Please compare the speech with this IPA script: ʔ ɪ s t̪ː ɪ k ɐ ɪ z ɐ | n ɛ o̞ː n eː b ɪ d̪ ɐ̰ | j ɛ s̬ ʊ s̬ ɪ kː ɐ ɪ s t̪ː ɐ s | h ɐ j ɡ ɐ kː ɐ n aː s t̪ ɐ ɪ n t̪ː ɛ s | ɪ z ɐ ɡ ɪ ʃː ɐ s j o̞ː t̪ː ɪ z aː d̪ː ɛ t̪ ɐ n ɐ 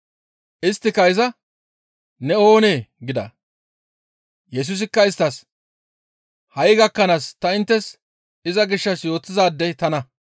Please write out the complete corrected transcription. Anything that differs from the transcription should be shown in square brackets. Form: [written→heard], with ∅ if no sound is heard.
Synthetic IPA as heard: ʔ ɪ s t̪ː ɪ k ɐ ɪ z ɐ | n ɛ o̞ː n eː [b→ɡ] ɪ d̪ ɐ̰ | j ɛ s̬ ʊ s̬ ɪ kː ɐ ɪ s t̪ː ɐ s | h ɐ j ɡ ɐ kː ɐ n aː s t̪ ɐ ɪ n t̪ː ɛ s | ɪ z ɐ ɡ ɪ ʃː ɐ s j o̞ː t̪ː ɪ z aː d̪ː ɛ t̪ ɐ n ɐ